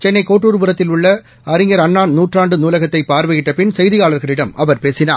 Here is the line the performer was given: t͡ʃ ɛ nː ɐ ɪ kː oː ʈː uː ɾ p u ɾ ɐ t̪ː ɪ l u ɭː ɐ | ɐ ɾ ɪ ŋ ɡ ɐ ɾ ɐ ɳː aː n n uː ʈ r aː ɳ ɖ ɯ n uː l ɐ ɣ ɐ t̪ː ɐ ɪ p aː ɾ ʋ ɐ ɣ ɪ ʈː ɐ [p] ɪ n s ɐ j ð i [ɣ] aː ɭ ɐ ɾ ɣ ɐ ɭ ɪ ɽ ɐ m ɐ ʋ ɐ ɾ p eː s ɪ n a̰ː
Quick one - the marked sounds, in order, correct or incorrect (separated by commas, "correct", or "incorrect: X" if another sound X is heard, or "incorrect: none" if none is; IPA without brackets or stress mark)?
correct, correct